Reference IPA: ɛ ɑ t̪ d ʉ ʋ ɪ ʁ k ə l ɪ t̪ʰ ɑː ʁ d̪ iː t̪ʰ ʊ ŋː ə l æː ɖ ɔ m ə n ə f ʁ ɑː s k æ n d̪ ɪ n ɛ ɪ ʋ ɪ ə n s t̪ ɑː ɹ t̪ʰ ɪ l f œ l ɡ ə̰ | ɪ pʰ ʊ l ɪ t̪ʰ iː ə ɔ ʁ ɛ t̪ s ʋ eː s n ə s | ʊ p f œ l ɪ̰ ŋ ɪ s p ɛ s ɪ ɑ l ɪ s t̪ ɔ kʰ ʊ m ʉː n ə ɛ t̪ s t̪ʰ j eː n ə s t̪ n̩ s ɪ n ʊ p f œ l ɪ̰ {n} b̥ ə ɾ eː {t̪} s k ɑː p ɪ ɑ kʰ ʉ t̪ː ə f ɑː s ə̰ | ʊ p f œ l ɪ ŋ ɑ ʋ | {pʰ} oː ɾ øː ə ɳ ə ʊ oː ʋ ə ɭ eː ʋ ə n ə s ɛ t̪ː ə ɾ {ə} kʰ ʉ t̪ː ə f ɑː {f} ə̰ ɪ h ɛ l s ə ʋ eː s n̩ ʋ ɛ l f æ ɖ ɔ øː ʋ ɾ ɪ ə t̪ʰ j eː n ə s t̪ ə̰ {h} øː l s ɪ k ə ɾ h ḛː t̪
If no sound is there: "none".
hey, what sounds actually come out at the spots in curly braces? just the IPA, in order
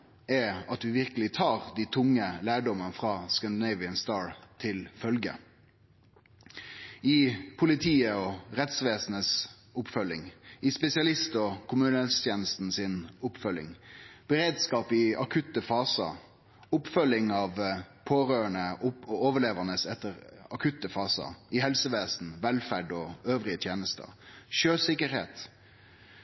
ŋ, d̪, pʰ, ɑ, s, ʃ

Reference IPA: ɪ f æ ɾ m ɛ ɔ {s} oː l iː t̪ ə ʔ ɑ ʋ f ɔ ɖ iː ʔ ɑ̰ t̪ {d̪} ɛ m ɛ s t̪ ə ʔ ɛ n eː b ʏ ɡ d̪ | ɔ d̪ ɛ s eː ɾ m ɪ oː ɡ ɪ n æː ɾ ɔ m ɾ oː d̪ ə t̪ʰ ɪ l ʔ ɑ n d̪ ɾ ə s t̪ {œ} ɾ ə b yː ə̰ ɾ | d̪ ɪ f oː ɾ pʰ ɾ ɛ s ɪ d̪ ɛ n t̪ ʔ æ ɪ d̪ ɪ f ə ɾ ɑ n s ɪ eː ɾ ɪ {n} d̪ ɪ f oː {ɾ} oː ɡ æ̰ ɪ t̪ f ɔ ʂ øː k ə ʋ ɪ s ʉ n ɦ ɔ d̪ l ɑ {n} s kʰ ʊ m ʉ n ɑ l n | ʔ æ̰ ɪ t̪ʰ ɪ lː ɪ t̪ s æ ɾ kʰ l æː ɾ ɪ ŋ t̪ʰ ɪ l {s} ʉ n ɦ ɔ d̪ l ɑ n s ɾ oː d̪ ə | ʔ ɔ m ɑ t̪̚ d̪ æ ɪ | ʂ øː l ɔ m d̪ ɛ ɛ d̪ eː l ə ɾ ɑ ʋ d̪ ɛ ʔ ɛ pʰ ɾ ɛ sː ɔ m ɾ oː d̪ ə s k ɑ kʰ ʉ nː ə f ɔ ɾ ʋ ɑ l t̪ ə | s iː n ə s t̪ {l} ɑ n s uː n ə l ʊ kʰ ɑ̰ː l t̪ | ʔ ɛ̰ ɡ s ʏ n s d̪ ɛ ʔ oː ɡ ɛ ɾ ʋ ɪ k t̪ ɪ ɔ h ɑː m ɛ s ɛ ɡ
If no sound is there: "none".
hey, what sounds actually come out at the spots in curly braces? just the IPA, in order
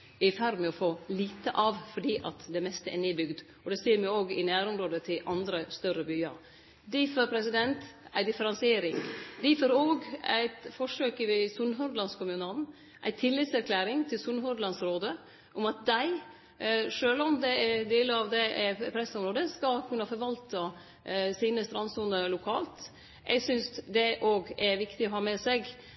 f, d̪, œ, ŋ, ɾ, n, s, ɾ

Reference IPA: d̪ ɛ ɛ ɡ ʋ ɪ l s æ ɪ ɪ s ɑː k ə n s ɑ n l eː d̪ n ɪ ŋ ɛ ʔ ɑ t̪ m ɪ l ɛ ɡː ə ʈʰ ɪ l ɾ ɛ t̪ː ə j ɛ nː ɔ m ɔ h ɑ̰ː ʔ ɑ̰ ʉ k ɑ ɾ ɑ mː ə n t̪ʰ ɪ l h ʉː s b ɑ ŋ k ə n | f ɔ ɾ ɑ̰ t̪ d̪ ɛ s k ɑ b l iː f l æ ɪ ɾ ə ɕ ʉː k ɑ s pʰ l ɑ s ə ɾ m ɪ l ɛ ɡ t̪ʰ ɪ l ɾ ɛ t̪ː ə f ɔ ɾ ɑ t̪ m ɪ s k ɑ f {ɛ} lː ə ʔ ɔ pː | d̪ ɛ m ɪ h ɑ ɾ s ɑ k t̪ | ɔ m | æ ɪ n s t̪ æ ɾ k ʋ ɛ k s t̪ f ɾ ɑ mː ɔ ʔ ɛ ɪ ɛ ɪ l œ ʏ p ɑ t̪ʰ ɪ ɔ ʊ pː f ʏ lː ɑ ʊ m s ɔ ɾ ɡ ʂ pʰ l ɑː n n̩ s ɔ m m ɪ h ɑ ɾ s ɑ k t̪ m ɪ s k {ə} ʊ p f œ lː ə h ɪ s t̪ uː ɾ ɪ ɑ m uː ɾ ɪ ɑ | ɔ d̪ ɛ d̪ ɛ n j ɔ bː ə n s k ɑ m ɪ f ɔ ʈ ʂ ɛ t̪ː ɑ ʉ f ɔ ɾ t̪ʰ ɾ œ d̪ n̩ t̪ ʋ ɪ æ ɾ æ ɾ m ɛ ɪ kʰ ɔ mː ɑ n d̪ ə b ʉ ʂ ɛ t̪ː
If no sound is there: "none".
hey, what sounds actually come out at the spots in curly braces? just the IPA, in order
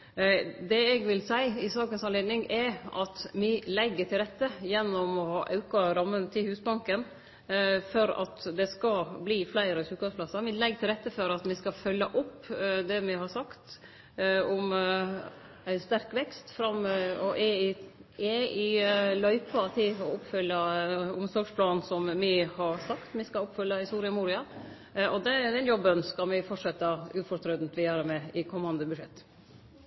œ, ɑ

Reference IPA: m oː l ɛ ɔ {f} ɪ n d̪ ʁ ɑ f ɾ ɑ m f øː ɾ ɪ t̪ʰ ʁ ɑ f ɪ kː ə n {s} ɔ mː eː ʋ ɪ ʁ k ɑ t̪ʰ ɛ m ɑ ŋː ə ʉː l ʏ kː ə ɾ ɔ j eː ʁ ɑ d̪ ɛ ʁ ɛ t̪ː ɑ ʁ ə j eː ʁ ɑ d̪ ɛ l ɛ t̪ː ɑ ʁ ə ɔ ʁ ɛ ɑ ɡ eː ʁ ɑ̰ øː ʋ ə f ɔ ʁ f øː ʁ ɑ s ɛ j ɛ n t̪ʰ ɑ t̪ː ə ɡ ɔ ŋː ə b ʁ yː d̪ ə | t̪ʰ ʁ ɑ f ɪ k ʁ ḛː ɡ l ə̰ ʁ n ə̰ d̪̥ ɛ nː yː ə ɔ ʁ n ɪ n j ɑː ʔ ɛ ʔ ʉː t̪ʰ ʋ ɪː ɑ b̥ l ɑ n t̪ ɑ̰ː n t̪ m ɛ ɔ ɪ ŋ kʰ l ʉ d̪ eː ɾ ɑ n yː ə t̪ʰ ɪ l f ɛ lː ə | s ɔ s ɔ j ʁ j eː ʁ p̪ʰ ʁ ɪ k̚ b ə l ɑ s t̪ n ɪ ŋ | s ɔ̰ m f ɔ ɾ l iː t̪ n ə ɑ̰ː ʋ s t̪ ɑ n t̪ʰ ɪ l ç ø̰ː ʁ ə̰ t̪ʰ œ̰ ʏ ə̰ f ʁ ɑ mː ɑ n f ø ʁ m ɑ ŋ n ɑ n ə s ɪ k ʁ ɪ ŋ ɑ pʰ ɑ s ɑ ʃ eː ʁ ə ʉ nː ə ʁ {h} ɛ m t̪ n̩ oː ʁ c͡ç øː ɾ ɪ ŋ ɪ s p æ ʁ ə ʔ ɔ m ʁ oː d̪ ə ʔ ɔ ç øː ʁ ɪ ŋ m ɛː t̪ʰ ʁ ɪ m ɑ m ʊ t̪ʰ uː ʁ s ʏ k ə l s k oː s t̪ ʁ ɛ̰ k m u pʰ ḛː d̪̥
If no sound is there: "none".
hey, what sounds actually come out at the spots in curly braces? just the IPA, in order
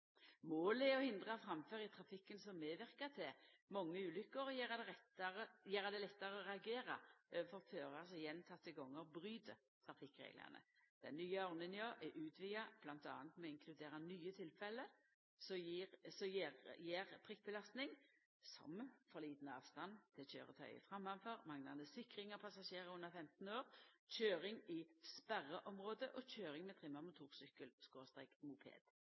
h, s, f

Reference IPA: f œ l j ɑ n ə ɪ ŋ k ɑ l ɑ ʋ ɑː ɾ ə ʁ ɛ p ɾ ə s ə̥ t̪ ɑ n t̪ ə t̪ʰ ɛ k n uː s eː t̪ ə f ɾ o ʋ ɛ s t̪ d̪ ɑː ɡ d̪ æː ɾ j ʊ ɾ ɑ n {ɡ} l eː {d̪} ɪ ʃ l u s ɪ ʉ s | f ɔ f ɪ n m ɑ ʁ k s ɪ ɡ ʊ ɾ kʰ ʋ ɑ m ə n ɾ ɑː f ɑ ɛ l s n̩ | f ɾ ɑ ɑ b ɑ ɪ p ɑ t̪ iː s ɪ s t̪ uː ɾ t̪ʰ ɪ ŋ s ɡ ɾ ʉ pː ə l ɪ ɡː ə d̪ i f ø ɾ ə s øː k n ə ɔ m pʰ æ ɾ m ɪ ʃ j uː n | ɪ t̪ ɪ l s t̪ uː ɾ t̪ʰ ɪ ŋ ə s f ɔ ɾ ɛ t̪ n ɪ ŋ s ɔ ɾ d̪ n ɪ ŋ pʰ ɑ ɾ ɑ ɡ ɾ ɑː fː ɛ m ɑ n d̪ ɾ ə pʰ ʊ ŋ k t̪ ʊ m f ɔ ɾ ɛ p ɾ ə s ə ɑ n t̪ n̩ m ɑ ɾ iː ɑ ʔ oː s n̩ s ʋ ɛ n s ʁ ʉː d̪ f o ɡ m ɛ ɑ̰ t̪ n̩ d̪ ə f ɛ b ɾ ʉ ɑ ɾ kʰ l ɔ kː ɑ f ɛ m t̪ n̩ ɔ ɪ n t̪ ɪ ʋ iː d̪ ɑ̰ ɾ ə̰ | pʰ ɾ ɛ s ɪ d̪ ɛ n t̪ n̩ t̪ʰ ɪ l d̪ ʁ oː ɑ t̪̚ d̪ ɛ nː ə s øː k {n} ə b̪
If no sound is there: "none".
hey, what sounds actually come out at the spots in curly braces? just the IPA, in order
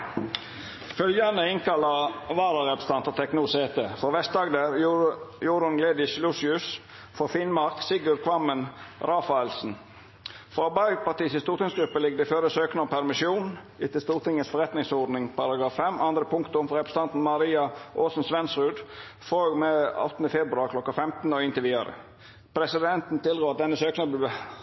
ɡ, d̪, n

